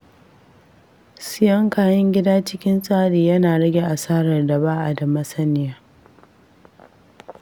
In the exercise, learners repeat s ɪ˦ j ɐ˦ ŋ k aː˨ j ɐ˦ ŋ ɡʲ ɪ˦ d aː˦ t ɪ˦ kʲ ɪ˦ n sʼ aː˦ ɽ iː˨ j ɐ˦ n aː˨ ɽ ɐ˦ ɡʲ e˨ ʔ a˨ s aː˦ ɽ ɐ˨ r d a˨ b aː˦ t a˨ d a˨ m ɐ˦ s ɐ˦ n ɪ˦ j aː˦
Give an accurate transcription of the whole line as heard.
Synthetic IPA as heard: s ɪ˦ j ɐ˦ ŋ k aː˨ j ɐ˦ ŋ ɡʲ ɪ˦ d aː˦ t͡ʃ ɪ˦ kʲ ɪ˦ n sʼ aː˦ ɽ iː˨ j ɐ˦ n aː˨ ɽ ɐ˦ ɡʲ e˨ ʔ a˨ s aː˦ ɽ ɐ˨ r d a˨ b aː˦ ʔ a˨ d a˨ m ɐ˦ s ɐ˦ n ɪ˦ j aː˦

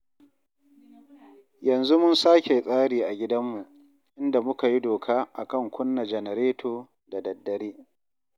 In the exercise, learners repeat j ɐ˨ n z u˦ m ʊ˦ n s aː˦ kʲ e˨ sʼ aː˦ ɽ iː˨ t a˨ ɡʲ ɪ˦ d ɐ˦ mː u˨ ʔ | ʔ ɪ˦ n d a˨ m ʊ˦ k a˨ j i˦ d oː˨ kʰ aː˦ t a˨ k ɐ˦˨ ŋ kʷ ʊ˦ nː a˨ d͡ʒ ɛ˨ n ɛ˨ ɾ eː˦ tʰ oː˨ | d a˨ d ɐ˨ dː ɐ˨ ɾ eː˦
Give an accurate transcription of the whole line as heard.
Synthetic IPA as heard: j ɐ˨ n z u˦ m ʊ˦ n s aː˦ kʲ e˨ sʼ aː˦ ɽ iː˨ ʔ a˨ ɡʲ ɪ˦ d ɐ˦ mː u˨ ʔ | ʔ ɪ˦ n d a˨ m ʊ˦ k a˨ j i˦ d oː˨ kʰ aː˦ ʔ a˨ k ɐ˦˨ ŋ kʷ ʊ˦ nː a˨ d͡ʒ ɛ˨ n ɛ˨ ɾ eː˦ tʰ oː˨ | d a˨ d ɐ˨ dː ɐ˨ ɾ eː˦

